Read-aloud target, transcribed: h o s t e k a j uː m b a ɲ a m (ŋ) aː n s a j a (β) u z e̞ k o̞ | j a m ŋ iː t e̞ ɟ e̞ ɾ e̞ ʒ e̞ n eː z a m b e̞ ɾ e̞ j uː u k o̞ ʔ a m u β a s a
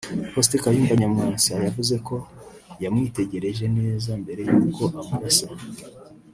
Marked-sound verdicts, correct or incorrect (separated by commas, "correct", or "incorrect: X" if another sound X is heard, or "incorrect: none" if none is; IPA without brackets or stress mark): correct, incorrect: v